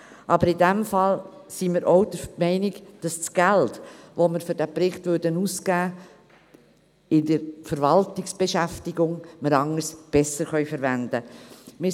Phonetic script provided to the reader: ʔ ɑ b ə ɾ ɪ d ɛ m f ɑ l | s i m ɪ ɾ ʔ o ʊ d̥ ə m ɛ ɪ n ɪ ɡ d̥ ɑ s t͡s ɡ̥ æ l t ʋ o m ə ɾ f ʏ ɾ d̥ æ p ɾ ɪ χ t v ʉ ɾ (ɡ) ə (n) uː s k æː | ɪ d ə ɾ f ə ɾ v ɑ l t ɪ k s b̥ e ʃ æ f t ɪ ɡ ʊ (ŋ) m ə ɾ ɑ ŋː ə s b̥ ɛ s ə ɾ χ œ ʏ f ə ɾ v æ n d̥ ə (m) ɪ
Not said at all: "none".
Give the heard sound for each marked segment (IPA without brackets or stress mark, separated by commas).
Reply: d, n, ŋ, m